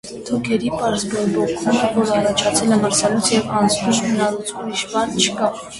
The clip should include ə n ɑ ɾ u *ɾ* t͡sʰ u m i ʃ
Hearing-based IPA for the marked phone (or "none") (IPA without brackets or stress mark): none